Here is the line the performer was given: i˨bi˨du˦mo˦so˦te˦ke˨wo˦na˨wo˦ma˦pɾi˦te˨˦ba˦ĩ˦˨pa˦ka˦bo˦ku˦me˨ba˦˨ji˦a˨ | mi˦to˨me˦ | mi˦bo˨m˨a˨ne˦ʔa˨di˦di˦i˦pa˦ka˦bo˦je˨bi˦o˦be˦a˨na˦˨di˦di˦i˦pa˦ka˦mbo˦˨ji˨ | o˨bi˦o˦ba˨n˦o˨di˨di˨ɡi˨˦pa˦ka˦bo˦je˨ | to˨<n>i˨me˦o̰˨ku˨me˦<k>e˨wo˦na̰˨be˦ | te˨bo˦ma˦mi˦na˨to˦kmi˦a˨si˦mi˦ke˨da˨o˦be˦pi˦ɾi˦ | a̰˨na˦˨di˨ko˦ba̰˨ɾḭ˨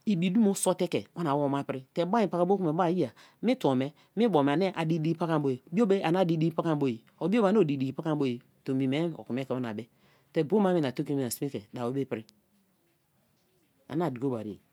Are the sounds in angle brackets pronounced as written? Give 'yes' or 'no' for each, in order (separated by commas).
no, yes